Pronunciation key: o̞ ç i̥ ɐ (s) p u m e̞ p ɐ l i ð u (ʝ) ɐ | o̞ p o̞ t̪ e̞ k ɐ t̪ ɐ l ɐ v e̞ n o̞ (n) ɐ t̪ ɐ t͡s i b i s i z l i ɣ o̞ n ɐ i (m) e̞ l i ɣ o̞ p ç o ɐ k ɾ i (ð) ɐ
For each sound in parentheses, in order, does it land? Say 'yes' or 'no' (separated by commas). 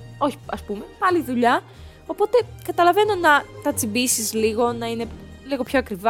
yes, no, yes, no, no